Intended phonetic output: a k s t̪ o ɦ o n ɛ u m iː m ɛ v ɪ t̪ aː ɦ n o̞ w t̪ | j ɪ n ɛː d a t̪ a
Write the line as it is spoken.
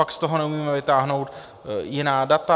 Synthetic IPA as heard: a k s t̪ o ɦ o n ɛ u m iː m ɛ v ɪ t̪ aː ɦ n o̞ w t̪ | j ɪ n aː d a t̪ a